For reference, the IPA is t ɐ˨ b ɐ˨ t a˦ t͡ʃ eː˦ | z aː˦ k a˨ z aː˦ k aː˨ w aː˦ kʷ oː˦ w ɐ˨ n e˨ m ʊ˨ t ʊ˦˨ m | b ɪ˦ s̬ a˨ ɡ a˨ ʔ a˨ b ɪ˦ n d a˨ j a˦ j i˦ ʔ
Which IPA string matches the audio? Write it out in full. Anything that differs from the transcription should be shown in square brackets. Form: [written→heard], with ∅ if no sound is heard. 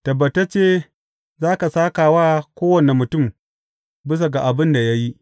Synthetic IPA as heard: t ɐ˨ b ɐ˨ t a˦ t͡ʃ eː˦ | z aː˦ k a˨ [z→s] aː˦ k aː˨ w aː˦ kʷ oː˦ w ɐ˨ n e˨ m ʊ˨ t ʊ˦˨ m | b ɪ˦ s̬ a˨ ɡ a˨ ʔ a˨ b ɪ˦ n d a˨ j a˦ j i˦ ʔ